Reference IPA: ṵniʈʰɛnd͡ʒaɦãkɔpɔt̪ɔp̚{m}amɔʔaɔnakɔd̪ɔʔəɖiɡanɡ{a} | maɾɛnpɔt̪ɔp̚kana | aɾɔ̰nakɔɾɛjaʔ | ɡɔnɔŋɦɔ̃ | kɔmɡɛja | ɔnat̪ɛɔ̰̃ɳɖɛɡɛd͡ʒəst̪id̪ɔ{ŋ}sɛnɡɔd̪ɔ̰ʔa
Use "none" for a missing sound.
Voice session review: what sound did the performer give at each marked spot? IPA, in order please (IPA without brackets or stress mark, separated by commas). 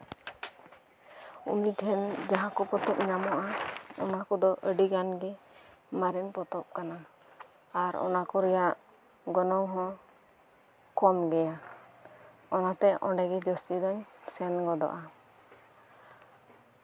ɲ, ɛ, ɲ